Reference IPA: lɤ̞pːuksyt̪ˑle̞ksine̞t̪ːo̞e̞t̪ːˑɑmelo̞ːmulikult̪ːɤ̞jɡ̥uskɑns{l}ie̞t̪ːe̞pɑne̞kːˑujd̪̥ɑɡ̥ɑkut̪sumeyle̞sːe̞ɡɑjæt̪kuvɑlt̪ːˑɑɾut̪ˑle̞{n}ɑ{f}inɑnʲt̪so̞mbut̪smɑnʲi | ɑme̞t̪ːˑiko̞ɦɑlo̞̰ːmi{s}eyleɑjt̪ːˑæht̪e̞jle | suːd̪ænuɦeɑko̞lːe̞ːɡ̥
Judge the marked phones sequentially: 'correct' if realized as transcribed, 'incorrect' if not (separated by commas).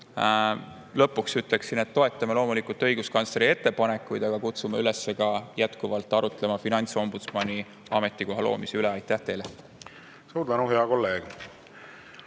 incorrect, incorrect, correct, correct